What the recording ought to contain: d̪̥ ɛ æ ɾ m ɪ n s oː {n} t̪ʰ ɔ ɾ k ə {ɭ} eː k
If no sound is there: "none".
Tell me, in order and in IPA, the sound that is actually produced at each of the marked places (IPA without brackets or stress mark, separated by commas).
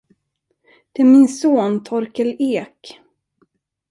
n, l